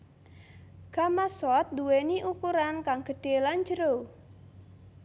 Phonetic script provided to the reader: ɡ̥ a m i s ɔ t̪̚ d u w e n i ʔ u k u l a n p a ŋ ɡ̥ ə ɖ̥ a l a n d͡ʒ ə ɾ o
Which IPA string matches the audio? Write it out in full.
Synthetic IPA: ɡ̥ a m a s ɔ t̪̚ d u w e n i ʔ u k u ɾ a n k a ŋ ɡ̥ ə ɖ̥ e l a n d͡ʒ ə ɾ o